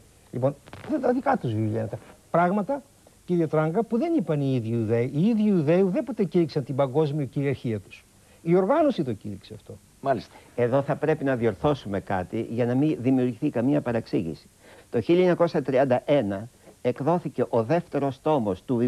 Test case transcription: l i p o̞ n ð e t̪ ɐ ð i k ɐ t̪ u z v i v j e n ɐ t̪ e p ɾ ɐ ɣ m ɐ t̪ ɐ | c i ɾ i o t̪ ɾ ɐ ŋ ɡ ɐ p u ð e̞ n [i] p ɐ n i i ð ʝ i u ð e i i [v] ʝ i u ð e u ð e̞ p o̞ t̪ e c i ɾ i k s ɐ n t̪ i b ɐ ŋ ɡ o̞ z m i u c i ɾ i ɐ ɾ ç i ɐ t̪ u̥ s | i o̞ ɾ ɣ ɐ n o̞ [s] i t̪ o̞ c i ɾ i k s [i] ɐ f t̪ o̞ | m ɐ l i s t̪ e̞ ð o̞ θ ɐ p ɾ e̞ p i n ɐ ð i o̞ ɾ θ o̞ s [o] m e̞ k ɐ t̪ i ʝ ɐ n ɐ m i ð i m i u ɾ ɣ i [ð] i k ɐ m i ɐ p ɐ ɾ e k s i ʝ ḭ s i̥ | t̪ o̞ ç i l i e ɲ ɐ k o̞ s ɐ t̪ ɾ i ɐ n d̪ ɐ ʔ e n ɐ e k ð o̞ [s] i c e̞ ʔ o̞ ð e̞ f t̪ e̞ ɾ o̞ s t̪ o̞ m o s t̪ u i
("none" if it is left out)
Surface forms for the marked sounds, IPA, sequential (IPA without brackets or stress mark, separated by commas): i, ð, s, e, u, θ, θ